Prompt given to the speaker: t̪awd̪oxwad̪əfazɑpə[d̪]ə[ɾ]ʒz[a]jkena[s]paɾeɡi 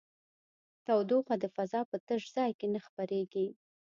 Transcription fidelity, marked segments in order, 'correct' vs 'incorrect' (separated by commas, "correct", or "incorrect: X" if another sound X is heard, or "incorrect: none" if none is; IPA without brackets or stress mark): incorrect: t̪, incorrect: none, incorrect: ɑ, incorrect: x